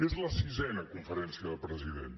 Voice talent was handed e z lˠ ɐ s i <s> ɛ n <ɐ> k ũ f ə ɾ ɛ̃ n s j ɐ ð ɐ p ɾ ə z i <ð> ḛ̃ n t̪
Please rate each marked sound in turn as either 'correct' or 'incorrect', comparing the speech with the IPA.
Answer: incorrect, correct, correct

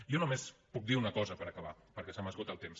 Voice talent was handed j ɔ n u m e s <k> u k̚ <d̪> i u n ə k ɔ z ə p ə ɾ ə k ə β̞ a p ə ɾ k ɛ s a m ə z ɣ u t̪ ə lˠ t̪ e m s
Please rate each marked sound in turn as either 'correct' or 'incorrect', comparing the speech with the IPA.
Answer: incorrect, correct

